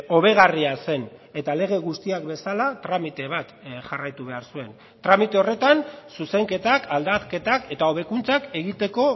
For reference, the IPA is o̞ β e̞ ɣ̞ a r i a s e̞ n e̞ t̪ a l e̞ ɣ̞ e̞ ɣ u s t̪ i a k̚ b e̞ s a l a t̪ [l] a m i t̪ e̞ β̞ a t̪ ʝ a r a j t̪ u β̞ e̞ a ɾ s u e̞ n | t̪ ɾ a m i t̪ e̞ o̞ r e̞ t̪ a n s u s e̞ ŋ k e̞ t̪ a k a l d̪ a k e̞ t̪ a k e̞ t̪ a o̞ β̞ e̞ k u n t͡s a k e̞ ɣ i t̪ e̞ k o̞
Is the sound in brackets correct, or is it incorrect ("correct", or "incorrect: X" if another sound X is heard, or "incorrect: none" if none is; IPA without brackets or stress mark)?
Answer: incorrect: ɾ